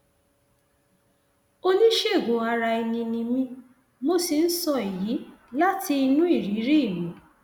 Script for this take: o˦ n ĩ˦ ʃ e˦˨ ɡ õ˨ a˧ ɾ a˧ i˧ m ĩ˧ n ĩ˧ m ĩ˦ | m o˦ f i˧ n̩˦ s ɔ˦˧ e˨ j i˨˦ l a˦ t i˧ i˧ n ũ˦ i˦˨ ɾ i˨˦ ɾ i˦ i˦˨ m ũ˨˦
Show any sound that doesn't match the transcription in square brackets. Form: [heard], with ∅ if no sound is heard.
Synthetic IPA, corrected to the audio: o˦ n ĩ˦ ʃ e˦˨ ɡ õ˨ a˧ ɾ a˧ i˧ [n] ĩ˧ n ĩ˧ m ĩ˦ | m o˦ [s] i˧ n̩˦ s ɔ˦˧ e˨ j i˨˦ l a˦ t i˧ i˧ n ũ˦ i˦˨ ɾ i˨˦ ɾ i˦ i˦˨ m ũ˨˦